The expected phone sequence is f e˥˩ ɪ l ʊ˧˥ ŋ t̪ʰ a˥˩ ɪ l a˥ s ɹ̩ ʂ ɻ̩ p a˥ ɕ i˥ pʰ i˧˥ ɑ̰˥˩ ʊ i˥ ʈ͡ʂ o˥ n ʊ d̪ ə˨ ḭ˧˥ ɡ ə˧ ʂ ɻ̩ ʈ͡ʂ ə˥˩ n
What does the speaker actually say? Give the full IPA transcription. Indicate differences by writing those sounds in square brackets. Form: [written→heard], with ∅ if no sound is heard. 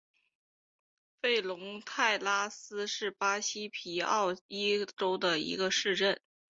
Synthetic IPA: f e˥˩ ɪ l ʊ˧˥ ŋ t̪ʰ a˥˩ ɪ l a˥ s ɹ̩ ʂ ɻ̩ p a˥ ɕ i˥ pʰ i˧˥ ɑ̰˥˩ ʊ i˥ ʈ͡ʂ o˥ [n→∅] ʊ d̪ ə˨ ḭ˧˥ ɡ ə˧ ʂ ɻ̩ ʈ͡ʂ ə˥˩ n